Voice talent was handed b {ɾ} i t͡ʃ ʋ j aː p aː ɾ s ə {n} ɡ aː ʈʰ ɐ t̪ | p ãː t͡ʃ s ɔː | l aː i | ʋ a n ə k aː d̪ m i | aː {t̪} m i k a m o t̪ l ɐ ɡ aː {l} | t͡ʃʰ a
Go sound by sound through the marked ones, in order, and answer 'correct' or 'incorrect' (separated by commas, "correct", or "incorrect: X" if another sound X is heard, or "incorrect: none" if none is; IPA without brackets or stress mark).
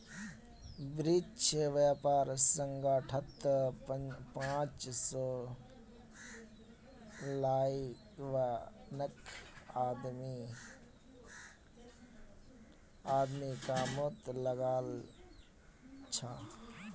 correct, incorrect: ŋ, incorrect: d̪, correct